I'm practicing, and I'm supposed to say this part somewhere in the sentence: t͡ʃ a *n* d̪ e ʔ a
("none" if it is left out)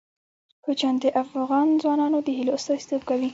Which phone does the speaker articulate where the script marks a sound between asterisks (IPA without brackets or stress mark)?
n